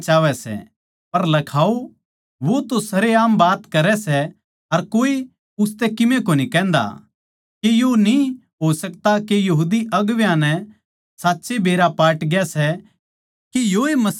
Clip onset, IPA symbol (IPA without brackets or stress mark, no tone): t͡ʃ